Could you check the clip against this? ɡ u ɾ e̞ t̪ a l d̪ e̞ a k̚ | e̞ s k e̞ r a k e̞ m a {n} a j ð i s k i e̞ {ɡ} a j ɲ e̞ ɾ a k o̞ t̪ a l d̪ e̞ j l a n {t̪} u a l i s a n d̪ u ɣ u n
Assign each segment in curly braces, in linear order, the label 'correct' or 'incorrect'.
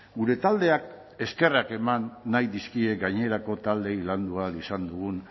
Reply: incorrect, correct, incorrect

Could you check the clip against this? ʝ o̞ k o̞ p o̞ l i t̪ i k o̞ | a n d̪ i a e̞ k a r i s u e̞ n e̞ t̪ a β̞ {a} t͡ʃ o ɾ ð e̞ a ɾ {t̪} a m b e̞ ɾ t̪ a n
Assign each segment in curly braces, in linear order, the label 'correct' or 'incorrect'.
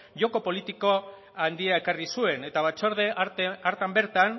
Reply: correct, correct

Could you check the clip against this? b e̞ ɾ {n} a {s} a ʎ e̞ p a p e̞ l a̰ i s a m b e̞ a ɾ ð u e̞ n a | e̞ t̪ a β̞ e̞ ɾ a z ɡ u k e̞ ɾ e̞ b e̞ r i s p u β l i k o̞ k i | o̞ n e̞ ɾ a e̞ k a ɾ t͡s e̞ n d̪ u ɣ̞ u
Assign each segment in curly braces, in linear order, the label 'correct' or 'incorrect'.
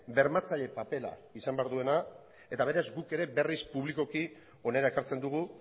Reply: incorrect, incorrect

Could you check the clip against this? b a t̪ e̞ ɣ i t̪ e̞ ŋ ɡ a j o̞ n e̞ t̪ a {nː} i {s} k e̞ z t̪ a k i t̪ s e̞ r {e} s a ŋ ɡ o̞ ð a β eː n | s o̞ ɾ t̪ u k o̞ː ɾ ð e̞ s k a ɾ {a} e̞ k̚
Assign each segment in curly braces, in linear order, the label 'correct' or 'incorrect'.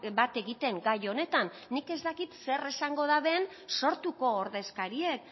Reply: correct, incorrect, correct, incorrect

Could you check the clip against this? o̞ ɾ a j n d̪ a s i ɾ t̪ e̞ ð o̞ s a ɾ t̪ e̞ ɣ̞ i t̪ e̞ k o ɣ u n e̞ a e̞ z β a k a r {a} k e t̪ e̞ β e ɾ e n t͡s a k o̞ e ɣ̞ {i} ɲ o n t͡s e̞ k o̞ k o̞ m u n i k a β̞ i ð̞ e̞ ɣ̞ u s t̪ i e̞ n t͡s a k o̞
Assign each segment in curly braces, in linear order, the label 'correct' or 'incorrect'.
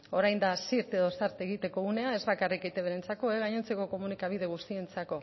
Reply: incorrect, incorrect

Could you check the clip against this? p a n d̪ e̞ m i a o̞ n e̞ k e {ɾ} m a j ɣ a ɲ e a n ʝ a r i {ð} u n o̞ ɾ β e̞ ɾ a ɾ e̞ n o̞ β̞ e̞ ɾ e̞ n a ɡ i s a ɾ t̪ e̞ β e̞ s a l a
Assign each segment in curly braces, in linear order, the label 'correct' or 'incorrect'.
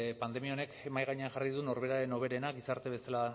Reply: incorrect, correct

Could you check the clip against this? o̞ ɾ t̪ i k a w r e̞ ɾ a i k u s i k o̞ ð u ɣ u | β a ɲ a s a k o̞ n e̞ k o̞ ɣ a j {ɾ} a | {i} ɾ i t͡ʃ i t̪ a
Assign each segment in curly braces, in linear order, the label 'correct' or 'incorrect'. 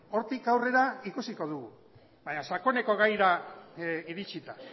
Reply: correct, correct

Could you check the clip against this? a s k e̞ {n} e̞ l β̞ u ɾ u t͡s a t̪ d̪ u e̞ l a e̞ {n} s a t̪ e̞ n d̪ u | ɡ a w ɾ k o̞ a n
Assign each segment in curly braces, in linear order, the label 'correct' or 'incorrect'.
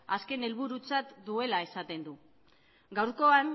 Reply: correct, incorrect

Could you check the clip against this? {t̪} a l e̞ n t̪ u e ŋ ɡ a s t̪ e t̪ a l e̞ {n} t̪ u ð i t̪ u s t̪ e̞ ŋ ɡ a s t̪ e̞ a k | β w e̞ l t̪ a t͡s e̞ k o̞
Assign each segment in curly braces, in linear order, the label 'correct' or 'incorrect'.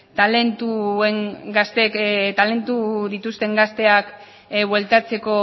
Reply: correct, correct

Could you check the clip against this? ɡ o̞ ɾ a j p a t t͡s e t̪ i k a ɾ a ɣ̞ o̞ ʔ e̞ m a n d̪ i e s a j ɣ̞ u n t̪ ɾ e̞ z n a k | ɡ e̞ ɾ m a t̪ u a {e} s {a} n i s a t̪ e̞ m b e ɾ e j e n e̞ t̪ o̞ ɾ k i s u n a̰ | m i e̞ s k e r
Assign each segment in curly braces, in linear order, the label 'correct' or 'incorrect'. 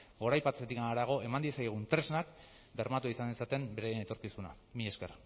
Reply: incorrect, correct

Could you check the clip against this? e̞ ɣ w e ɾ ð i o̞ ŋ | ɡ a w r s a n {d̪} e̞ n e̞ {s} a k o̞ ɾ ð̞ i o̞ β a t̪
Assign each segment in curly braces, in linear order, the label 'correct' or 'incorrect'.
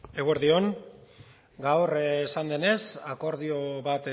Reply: correct, correct

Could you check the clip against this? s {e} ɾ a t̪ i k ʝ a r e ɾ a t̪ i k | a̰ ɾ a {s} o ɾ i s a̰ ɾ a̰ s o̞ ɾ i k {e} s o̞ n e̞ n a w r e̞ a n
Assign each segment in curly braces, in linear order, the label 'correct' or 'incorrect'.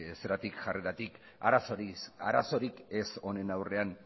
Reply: correct, correct, correct

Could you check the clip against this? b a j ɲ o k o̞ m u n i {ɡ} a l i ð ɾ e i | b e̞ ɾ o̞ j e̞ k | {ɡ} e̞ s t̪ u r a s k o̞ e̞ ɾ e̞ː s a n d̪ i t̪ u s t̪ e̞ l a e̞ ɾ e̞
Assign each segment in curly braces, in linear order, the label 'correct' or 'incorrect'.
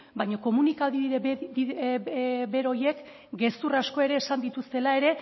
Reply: incorrect, correct

